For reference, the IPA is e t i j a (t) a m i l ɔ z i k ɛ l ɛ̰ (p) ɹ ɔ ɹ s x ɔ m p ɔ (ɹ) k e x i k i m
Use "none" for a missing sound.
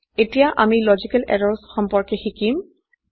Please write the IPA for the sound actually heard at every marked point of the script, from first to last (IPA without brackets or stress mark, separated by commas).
ʔ, none, ɹ